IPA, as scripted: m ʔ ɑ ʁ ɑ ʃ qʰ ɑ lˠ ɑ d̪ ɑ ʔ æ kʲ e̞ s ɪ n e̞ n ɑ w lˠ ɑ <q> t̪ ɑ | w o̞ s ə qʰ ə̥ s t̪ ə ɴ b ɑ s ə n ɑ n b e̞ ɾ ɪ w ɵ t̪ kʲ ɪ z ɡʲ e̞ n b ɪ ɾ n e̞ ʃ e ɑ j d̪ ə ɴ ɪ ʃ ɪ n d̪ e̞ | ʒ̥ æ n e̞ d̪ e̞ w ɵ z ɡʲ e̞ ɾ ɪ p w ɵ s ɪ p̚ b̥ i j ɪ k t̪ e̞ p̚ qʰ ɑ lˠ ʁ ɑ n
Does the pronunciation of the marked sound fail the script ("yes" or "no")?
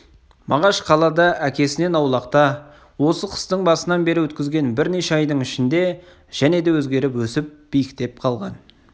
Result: no